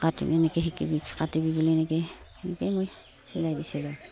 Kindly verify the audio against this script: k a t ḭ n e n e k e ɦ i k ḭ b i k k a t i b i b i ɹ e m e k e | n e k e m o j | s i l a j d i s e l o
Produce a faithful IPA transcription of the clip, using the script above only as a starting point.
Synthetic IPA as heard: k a t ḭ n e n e k e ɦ i k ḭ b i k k a t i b i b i l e n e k e | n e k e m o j | s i l a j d i s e l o

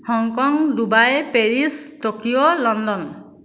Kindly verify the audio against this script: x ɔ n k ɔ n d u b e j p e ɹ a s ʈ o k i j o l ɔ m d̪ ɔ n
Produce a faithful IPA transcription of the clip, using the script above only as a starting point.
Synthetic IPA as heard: h ɔ ŋ k ɔ ŋ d u b a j p e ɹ i s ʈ o k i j o l ɔ n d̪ ɔ n

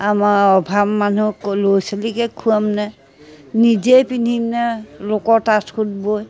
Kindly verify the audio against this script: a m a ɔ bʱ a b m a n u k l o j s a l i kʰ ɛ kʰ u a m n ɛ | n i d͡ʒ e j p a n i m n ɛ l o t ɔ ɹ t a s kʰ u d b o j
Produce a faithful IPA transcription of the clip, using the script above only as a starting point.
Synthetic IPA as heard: a m a ɔ bʱ a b m a n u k l o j s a l i k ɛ kʰ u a m n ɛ | n i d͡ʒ e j p i n i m n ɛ l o k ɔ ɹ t a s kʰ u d b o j

